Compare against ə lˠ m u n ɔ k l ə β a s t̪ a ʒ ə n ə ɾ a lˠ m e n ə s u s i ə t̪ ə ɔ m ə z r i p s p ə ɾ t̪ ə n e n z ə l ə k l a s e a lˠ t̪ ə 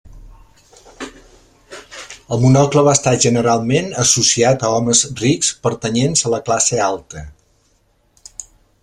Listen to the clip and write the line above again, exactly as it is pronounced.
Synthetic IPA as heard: ə lˠ m u n ɔ k l ə β a s t̪ a ʒ ə n ə ɾ a lˠ m e n ə s u s i a t̪ ə ɔ m ə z r i k s p ə ɾ t̪ ə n e n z ə l ə k l a s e a lˠ t̪ ə

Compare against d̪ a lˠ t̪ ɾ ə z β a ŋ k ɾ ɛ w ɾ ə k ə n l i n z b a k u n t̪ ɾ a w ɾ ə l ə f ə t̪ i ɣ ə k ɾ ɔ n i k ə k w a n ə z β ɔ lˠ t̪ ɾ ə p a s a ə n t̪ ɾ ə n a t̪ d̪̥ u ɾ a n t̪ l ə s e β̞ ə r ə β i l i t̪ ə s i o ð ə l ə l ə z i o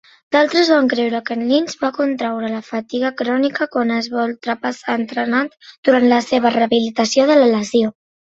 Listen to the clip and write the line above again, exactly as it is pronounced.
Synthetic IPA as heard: d̪ a lˠ t̪ ɾ ə z β a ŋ k ɾ ɛ w ɾ ə k ə n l i n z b a k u n t̪ ɾ a w ɾ ə l ə f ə t̪ i ɣ ə k ɾ ɔ n i k ə k w a n ə z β ɔ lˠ t̪ ɾ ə p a s a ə n t̪ ɾ ə n a t̪ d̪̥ u ɾ a n t̪ l ə s e β̞ ə r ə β i l i t̪ ə s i o ð ə l ə l ə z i o

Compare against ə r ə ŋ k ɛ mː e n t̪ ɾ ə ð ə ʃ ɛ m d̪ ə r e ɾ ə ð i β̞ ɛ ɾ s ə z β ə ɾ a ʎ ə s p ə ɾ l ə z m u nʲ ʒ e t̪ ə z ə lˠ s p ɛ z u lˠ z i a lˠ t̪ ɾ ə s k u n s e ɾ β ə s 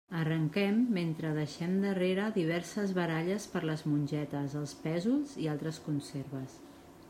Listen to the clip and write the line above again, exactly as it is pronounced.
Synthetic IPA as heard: ə r ə ŋ k ɛ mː e n t̪ ɾ ə ð ə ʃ ɛ m d̪ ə r e ɾ ə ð i β̞ ɛ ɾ s ə z β ə ɾ a ʎ ə s p ə ɾ l ə z m u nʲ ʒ ɛ t̪ ə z ə lˠ s p ɛ z u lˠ z i a lˠ t̪ ɾ ə s k u n s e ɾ β ə s

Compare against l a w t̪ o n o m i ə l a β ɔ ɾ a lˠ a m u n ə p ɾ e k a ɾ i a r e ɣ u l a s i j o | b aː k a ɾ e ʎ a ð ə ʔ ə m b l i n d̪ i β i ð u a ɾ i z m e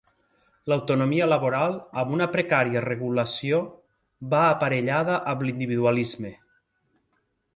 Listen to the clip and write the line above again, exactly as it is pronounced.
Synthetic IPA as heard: l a w t̪ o n o m i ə l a β o ɾ a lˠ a m u n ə p ɾ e k a ɾ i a r e ɣ u l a s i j o | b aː p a ɾ e ʎ a ð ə ʔ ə m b l i n d̪ i β i ð u a l i z m e

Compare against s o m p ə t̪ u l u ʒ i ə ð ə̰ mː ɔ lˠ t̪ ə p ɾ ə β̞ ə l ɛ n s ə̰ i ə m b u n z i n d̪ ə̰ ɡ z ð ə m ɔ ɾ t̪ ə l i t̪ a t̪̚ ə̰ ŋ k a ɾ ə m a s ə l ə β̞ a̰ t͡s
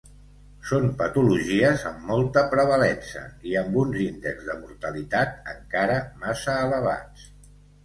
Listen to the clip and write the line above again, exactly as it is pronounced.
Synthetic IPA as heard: s o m p ə t̪ u l u ʒ i ə z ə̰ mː ɔ lˠ t̪ ə p ɾ ə β̞ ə l ɛ n s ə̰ i ə m b u n z i n d̪ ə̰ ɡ z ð ə m u ɾ t̪ ə l i t̪ a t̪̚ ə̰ ŋ k a ɾ ə m a s əː l ə β̞ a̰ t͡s

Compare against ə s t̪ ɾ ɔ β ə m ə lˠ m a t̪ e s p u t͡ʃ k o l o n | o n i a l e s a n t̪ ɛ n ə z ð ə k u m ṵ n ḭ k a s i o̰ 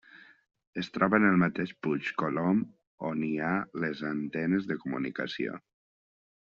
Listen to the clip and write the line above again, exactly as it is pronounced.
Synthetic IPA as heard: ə s t̪ ɾ ɔ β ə n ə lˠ m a t̪ e ʃ p u t͡ʃ k o l o m | o n i a l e z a n t̪ ɛ n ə z ð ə k u m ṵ n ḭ k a s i o̰

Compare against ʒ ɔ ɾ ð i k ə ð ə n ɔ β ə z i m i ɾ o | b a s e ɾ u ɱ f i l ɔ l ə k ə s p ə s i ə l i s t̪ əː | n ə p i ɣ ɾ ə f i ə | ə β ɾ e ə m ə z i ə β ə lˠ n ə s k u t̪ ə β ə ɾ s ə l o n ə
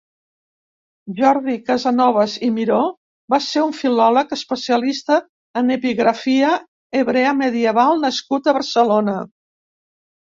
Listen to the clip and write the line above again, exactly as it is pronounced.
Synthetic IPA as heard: ʒ ɔ ɾ ð i k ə z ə n ɔ β ə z i m i ɾ o | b a s e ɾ u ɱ f i l ɔ l ə k ə s p ə s i ə l i s t̪ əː | n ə p i ɣ ɾ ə f i ə | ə β ɾ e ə m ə ð i ə β a lˠ n ə s k u t̪ ə β ə ɾ s ə l o n ə

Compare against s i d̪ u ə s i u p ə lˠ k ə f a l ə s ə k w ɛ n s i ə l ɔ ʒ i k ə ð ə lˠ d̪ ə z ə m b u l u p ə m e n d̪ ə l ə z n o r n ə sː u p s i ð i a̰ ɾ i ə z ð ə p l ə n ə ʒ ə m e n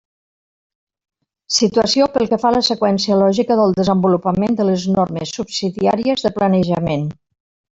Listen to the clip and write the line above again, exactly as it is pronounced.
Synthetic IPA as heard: s i t̪ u ə s i o p ə lˠ k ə f a l ə s ə k w ɛ n s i ə l ɔ ʒ i k ə ð ə lˠ d̪ ə z ə m b u l u p ə m e n d̪ ə l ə z n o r m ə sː u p s i ð i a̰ ɾ i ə z ð ə p l ə n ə ʒ ə m e n

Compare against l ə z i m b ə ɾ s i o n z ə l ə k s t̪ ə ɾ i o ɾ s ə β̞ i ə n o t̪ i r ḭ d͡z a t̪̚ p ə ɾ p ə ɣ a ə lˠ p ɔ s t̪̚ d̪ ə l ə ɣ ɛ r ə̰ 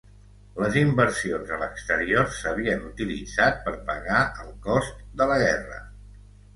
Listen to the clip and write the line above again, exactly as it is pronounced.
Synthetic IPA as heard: l ə z i m b ə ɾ s i o n z ə l ə k s t̪ ə ɾ i o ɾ s ə β̞ i ə n u t̪ i l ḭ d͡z a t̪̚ p ə ɾ p ə ɣ a ə lˠ k ɔ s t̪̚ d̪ ə l ə ɣ ɛ r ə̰

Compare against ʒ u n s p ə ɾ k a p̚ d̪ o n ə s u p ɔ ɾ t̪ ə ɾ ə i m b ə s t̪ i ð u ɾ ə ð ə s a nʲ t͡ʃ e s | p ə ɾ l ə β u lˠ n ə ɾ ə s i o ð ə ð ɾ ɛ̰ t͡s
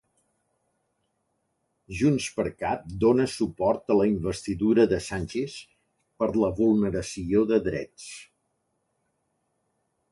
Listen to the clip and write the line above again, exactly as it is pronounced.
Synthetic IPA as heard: ʒ u n s p ə ɾ k a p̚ d̪ o n ə s u p ɔ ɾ t̪ ə l ə i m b ə s t̪ i ð u ɾ ə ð ə s a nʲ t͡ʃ e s | p ə ɾ l ə β u lˠ n ə ɾ ə s i o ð ə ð ɾ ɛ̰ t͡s

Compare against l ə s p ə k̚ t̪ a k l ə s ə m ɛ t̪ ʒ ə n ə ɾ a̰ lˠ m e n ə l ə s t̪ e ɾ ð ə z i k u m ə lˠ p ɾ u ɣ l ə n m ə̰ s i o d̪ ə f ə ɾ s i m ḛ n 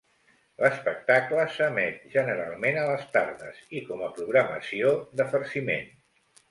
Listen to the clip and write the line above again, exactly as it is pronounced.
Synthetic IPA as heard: l ə s p ə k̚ t̪ a k l ə s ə m ɛ t̪ ʒ ə n ə ɾ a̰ lˠ m e n ə l ə s t̪ a ɾ ð ə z i k ɔ m ə p ɾ u ɣ ɾ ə m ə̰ s i o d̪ ə f ə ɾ s i m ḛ n

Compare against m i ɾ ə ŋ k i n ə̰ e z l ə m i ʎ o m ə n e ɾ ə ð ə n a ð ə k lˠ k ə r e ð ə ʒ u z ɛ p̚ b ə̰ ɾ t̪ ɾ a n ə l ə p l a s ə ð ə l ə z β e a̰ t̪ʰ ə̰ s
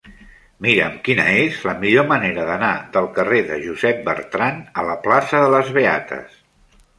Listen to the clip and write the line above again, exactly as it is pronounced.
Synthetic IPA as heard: m i ɾ ə m k i n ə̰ e z l ə m i ʎ o m ə n e ɾ ə ð ə n a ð ə lˠ k ə r e ð ə ʒ u z ɛ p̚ b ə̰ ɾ t̪ ɾ a n ə l ə p l a s ə ð ə l ə z β e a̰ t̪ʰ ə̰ s

